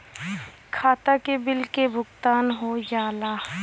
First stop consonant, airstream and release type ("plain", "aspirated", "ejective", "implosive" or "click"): aspirated